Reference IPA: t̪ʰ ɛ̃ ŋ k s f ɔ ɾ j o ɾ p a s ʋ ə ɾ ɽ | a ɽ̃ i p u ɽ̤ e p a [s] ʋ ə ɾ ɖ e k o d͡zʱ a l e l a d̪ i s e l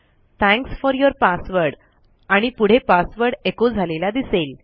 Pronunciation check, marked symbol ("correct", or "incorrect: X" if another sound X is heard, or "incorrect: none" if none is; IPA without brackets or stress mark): correct